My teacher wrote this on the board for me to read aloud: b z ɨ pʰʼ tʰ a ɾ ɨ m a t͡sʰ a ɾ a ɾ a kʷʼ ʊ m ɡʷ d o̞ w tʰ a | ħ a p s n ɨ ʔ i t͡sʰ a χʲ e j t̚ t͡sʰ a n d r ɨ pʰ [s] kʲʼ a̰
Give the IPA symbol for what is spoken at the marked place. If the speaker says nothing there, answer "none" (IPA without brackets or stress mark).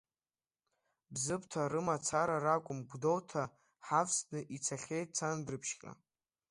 ʃ